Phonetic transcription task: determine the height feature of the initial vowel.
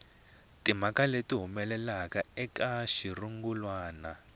high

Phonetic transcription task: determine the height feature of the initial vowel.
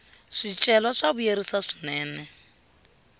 high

